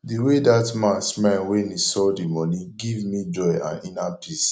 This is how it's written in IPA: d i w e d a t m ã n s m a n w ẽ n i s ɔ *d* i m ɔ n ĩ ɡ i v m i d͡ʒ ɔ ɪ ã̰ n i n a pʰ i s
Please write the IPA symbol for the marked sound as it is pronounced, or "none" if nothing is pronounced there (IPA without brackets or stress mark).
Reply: d